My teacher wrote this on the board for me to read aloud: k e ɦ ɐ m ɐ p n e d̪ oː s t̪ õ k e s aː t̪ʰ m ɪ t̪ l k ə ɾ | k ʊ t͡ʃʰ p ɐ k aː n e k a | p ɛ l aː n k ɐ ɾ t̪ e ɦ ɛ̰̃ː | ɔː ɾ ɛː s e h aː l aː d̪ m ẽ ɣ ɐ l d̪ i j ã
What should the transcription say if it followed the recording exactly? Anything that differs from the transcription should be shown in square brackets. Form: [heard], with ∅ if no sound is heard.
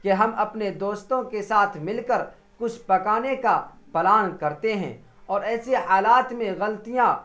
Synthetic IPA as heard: k e ɦ ɐ m ɐ p n e d̪ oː s t̪ õ k e s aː t̪ʰ m ɪ [∅] l k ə ɾ | k ʊ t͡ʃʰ p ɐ k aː n e k a | p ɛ l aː n k ɐ ɾ t̪ e ɦ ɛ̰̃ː | ɔː ɾ ɛː s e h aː l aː [t̪] m ẽ ɣ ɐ l [t̪] i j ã